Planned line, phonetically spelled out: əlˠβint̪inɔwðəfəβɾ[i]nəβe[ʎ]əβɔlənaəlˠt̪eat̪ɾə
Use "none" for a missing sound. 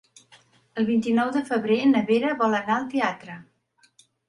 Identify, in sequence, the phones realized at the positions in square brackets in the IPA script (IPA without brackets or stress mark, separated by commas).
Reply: e, ɾ